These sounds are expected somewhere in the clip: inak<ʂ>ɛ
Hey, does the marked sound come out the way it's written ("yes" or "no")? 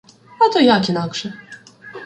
yes